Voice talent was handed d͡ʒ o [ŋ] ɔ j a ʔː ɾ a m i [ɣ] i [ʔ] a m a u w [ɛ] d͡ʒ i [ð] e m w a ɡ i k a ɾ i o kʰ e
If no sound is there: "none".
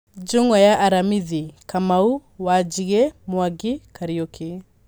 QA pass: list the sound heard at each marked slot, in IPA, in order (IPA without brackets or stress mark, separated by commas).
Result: ŋ, ð, k, a, ɣ